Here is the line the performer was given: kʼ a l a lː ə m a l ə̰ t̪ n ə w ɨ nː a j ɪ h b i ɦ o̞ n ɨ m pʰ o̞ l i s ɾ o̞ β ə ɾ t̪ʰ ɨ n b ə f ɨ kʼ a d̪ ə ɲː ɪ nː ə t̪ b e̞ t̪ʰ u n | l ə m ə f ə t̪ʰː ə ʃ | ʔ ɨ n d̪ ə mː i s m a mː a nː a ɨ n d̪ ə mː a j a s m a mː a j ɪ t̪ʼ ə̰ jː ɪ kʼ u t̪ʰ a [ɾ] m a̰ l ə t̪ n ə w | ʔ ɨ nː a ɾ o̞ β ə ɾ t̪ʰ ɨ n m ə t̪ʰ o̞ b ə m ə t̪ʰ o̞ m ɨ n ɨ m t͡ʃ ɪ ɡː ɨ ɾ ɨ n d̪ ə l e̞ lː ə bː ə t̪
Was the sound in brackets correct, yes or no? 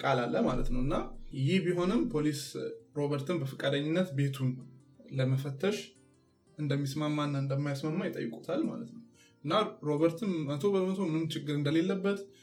no